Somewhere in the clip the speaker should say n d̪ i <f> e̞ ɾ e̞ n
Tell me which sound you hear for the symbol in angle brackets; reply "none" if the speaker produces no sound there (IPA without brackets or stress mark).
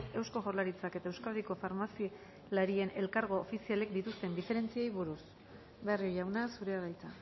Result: f